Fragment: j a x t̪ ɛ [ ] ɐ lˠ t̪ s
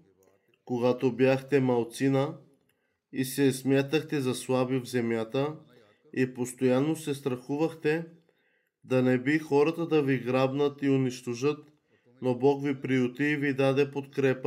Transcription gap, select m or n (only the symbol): m